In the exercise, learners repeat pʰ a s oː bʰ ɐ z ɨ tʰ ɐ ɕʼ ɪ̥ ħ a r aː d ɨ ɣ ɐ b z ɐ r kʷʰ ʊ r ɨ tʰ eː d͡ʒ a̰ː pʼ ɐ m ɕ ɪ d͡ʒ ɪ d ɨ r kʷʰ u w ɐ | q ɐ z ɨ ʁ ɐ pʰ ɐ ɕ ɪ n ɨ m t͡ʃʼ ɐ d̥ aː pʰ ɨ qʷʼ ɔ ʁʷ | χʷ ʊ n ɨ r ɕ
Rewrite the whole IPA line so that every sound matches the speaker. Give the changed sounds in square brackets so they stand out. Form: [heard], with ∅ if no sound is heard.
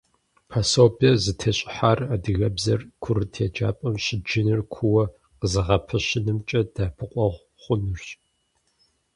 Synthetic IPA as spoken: pʰ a s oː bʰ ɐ z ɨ tʰ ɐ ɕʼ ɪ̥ ħ a r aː d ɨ ɣ ɐ b z ɐ r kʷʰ ʊ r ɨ tʰ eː d͡ʒ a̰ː pʼ ɐ m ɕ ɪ d͡ʒ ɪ [n] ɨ r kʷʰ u w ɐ | q [ə] z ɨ ʁ ɐ pʰ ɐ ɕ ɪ n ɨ m t͡ʃʼ ɐ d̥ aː pʰ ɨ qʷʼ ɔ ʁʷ | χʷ ʊ n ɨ r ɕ